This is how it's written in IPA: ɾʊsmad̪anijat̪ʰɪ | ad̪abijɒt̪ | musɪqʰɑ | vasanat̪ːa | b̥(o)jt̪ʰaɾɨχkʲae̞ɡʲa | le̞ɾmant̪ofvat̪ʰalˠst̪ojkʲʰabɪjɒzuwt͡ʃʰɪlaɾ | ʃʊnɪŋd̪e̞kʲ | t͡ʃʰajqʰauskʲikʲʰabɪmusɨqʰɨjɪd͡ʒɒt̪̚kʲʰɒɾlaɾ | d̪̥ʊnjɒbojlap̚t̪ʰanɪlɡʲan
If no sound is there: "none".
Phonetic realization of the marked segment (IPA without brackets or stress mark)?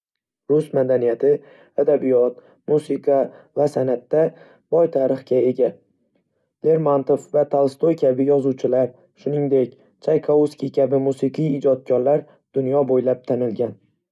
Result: ɒ